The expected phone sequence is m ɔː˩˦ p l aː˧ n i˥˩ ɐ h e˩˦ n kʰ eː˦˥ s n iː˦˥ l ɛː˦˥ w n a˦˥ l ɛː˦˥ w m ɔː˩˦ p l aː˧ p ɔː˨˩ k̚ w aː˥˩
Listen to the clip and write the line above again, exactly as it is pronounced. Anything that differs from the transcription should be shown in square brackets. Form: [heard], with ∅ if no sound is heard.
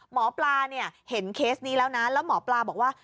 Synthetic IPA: m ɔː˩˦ p l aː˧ n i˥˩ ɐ h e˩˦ n kʰ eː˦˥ s n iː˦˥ l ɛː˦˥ w n a˦˥ l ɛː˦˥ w m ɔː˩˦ p l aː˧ [b] ɔː˨˩ k̚ w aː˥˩